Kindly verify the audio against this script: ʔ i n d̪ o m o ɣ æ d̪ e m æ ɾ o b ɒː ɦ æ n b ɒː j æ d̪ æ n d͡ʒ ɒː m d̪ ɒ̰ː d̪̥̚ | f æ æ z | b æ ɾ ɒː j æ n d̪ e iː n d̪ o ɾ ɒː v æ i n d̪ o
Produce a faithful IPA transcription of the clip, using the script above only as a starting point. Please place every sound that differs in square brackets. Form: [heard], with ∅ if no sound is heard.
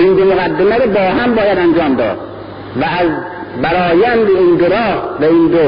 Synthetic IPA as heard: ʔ i n d̪ o m o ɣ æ [d̪ː] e m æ ɾ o b ɒː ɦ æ [m] b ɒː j æ d̪ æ n d͡ʒ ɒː m d̪ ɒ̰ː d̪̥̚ | [v] æ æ z | b æ ɾ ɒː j æ n d̪ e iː n d̪ o ɾ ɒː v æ i n d̪ o